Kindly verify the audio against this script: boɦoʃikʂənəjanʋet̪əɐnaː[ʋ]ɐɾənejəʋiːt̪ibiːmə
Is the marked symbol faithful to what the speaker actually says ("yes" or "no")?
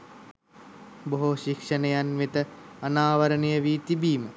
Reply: yes